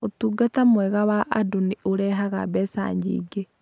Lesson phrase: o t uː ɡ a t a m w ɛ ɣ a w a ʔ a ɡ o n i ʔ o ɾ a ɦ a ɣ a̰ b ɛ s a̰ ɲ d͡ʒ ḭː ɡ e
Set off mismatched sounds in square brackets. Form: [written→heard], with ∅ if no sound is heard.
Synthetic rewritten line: o t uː ɡ a t a m w ɛ ɣ a w a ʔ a [ɡ→d] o n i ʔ o ɾ [a→ɛ] ɦ a ɣ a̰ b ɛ s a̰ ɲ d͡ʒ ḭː ɡ e

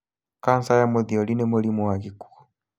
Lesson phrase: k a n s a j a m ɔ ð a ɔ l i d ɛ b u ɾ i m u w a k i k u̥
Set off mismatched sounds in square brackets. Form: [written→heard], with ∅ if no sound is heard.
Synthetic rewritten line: k a n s a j a m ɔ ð [a→i] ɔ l i [d→n] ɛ [b→m] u [ɾ→l] i m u w a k i k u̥

